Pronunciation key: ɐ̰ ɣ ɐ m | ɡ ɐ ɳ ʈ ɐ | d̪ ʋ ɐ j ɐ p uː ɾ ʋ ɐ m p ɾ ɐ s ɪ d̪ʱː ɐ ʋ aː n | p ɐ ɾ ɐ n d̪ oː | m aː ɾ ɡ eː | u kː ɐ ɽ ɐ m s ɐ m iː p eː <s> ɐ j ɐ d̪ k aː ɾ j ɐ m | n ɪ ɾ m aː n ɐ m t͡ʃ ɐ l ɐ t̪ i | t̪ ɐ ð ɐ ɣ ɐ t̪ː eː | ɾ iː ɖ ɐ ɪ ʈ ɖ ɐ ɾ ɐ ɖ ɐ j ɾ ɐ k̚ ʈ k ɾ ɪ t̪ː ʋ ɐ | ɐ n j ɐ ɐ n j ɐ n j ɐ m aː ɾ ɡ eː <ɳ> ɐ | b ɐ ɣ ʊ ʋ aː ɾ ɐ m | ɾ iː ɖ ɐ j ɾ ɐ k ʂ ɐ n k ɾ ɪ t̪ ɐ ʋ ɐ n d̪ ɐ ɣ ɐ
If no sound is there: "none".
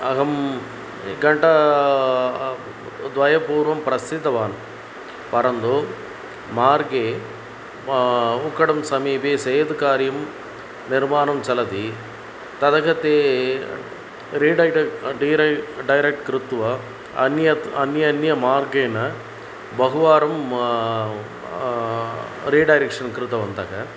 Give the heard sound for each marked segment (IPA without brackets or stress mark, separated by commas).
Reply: s, n